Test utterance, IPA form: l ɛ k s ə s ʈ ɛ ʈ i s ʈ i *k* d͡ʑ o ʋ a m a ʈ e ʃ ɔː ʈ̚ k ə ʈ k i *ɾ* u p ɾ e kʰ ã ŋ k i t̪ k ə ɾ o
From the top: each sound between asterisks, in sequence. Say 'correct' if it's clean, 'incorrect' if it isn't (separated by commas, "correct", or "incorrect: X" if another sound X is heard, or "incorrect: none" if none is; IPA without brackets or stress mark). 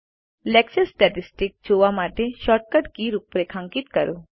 correct, correct